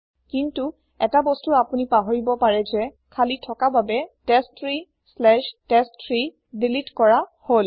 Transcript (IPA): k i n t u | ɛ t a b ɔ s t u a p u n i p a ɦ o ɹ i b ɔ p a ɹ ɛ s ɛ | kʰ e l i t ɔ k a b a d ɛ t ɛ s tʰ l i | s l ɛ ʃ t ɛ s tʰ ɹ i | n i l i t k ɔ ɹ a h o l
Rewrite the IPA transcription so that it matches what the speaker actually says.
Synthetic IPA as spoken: k i n t u | ɛ t a b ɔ s t u a p u n i p a ɦ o ɹ i b ɔ p a ɹ ɛ z ɛ | kʰ a l i tʰ ɔ k a b a b ɛ t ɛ s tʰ ɹ i | s l ɛ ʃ t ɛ s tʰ ɹ i | d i l i t k ɔ ɹ a h o l